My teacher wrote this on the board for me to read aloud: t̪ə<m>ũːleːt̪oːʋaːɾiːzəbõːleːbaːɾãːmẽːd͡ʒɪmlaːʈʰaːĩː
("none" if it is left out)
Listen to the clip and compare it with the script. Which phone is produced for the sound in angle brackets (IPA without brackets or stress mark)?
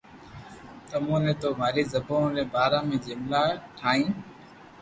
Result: m